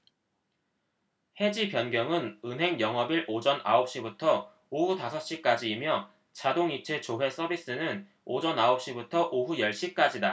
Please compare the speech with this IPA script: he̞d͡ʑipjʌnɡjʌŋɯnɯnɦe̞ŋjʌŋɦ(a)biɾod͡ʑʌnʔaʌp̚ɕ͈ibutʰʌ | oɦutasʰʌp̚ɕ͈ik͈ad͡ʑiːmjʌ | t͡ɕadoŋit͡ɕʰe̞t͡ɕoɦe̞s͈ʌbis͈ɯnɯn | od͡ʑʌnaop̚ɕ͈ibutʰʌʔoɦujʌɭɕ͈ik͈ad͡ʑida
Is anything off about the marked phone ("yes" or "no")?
yes